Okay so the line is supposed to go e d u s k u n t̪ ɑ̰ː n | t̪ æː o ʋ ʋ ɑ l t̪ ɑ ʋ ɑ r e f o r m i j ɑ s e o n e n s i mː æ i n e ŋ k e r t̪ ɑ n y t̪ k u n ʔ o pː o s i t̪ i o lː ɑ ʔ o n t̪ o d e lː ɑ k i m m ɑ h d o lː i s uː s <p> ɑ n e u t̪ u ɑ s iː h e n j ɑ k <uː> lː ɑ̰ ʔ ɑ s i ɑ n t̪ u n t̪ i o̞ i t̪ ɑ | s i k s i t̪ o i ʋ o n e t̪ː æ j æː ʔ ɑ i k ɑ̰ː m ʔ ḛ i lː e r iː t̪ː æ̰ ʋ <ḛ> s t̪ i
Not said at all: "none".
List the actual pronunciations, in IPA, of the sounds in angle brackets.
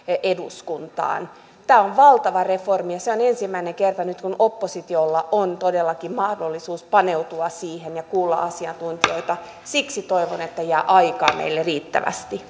p, uː, æ̰

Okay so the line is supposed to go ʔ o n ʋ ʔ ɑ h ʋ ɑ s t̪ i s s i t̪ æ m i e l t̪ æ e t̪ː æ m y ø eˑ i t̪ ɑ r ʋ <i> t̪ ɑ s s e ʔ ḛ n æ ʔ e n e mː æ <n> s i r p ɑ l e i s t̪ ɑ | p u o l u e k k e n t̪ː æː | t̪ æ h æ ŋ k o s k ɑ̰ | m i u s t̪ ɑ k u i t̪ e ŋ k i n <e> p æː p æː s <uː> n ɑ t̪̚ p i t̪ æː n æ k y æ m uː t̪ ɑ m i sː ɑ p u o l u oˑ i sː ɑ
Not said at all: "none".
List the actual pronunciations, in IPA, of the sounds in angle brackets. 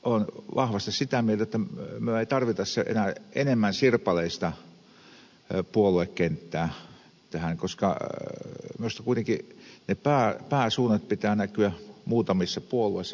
i, n, e, uː

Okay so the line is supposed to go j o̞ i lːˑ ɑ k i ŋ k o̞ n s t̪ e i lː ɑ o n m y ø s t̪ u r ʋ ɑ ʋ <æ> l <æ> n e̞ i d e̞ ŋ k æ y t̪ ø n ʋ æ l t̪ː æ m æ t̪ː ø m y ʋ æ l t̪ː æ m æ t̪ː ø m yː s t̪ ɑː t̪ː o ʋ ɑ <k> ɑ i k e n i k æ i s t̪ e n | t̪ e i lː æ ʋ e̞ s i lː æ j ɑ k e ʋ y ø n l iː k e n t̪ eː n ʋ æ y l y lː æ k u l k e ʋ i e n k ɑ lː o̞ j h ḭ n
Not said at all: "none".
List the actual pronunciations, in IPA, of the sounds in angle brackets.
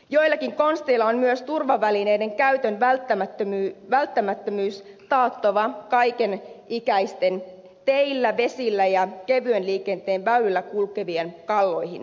æ, i, k

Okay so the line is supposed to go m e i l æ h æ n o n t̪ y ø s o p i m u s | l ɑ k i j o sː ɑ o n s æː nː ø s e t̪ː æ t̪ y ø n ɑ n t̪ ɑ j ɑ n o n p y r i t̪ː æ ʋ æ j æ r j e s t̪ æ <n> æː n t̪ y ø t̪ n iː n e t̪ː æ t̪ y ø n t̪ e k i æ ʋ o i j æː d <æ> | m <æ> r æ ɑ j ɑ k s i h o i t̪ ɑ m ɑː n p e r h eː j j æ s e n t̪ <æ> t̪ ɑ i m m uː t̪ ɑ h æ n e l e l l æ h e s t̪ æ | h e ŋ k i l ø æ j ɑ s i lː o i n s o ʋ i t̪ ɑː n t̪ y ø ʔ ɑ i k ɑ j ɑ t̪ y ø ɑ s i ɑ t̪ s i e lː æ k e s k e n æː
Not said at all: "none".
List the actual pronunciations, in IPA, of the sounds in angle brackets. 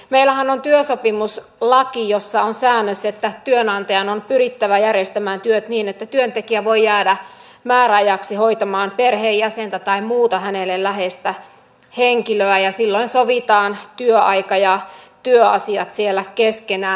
m, æ, æː, æ

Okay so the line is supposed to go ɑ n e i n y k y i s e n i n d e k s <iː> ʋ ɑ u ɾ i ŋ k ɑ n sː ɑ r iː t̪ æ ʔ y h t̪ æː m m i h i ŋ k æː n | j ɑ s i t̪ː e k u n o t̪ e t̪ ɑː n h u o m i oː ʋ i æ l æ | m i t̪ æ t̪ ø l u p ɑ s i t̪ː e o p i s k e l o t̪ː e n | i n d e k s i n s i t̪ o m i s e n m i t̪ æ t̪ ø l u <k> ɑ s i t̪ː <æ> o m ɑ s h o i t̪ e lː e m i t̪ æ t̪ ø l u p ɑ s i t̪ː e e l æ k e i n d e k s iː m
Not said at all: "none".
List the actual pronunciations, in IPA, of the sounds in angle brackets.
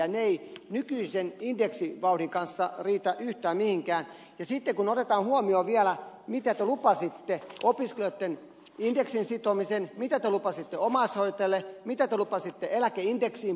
i, p, e

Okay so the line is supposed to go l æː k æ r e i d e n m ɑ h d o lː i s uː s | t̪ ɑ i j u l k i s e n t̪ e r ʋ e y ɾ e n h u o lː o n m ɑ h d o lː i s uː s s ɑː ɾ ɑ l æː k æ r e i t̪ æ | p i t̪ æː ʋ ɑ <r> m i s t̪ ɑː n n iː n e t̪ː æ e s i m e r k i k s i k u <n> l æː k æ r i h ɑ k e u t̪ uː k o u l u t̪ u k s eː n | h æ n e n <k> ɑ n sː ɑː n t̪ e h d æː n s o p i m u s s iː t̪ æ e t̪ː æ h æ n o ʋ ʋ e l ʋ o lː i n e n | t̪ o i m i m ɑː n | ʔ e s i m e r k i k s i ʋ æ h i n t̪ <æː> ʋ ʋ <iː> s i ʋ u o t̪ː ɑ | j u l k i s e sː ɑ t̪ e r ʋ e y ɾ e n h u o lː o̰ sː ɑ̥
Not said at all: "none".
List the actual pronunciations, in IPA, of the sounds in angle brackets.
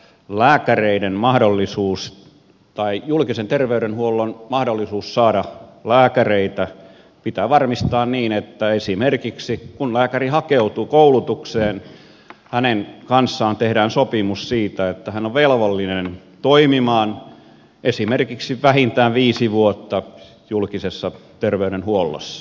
r, n, k, æː, iː

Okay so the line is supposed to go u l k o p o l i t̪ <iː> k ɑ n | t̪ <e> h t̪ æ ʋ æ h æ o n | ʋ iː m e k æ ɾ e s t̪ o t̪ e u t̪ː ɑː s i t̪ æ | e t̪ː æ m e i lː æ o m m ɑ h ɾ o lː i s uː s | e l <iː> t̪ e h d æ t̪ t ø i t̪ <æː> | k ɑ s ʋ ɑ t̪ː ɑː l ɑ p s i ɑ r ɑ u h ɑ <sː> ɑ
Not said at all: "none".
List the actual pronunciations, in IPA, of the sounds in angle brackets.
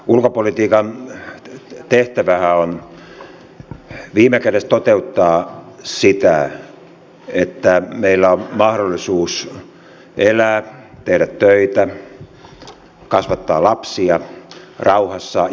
iː, e, æː, æ, sː

